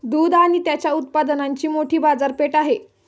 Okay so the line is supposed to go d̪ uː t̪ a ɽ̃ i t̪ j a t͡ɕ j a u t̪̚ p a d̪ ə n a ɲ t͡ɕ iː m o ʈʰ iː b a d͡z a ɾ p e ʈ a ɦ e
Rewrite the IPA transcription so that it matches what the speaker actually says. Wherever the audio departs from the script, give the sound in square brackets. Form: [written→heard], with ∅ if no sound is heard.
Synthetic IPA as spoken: d̪ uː [t̪→d̪] a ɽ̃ i t̪ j a t͡ɕ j a u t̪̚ p a d̪ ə n a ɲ t͡ɕ iː m o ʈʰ iː b a d͡z a ɾ p e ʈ a ɦ e